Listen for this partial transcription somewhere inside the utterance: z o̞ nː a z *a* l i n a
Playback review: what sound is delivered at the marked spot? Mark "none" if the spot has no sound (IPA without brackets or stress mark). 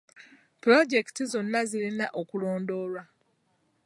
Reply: i